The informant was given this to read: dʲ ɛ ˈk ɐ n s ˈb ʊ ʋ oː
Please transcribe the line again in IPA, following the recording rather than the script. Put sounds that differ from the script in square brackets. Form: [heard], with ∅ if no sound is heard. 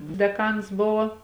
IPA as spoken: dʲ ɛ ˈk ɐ n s ˈb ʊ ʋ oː